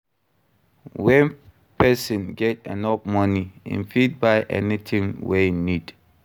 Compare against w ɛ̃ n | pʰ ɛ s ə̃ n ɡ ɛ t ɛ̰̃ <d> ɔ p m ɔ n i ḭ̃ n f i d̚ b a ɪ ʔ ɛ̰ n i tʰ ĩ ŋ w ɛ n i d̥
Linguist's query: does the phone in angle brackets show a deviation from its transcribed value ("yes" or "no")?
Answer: yes